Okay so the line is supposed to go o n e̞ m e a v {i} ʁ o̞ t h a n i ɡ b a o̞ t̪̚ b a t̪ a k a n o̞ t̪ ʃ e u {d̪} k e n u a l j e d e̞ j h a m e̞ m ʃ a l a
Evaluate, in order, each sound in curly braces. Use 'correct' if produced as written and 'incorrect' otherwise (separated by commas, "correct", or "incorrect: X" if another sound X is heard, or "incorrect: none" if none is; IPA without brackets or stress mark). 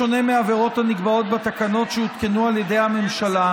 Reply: incorrect: e, incorrect: t̪